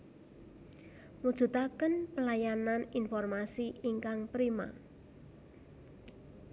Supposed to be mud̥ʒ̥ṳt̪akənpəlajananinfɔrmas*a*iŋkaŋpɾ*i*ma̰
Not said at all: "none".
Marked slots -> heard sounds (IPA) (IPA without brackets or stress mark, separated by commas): i, i